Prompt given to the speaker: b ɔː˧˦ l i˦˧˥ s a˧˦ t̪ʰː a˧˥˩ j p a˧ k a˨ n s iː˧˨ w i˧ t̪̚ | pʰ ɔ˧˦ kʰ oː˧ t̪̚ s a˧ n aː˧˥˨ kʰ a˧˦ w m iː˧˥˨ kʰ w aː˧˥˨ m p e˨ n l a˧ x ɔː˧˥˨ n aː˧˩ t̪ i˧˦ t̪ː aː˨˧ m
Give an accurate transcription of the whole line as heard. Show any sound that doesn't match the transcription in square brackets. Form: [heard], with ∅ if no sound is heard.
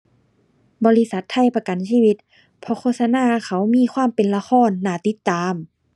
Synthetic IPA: b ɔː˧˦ l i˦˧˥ s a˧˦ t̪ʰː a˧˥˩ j p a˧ k a˨ n s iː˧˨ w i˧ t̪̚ | pʰ ɔ˧˦ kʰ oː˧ t̪̚ s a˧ n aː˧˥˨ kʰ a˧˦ w m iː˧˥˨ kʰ w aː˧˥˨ m p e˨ n l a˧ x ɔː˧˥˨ [nː] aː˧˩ t̪ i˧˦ t̪ː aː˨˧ m